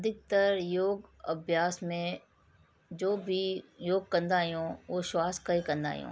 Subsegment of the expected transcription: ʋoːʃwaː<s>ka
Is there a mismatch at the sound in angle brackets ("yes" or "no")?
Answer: no